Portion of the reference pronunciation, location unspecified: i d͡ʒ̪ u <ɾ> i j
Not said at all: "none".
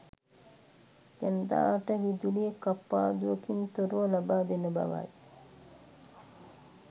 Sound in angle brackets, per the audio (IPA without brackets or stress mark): l